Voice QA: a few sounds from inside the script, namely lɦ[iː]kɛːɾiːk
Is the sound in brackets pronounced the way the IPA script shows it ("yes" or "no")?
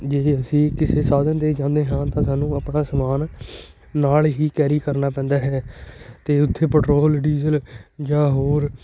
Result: yes